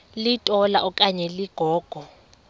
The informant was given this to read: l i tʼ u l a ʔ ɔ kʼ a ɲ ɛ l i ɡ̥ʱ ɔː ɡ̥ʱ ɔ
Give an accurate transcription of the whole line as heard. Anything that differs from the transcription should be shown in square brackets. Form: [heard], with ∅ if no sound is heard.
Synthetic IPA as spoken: l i tʼ [ɔ] l a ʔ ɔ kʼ a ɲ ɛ l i ɡ̥ʱ ɔː ɡ̥ʱ ɔ